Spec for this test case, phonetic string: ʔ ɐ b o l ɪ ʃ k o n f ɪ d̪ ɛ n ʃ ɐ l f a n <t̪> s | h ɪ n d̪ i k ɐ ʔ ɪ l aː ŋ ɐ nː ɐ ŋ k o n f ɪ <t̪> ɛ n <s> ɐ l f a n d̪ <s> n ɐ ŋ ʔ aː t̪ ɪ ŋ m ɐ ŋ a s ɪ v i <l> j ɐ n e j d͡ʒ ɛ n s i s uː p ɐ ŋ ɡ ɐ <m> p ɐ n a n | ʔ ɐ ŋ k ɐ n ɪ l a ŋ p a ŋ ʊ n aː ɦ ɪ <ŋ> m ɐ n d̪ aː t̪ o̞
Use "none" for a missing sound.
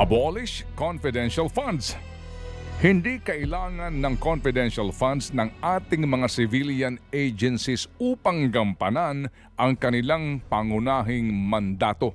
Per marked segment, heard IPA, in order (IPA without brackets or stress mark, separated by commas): d̪, d̪, ʃ, s, l, m, ŋ